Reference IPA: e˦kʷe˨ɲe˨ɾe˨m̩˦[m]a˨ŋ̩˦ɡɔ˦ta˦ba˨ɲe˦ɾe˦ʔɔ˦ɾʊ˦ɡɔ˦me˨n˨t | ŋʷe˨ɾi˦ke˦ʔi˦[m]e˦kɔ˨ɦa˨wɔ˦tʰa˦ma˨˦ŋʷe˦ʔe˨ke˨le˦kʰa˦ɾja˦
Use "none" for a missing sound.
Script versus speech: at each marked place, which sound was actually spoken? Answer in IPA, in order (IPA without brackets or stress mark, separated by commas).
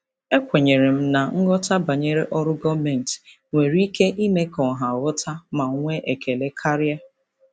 n, m